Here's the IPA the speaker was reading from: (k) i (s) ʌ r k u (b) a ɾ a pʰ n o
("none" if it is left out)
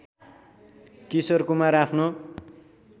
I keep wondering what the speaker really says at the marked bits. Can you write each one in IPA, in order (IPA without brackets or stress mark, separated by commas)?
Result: k, s, m